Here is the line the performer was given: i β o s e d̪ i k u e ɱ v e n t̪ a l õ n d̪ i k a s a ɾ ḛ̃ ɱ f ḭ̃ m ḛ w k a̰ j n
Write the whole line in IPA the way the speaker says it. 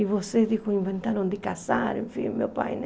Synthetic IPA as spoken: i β o s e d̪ i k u i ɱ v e n t̪ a ɾ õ n d̪ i k a s a ɾ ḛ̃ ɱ f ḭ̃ m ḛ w p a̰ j n